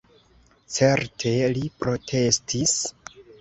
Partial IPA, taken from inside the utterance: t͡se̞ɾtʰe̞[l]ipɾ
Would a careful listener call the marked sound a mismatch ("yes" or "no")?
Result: no